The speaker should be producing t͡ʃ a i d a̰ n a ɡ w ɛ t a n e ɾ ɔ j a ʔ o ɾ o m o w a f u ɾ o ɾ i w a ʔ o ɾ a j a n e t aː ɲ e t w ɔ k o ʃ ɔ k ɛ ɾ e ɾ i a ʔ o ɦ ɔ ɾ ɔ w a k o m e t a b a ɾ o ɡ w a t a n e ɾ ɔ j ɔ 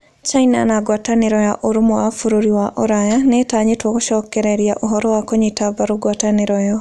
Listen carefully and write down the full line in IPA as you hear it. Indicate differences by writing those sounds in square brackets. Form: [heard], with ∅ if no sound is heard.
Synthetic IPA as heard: t͡ʃ a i [n] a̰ n a ɡ w [a] t a n e ɾ ɔ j a ʔ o ɾ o m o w a f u ɾ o ɾ i w a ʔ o ɾ a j a n e t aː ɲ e t w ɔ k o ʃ ɔ k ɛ ɾ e ɾ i a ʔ o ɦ ɔ ɾ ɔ w a k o [ɲ] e t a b a ɾ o ɡ w a t a n e ɾ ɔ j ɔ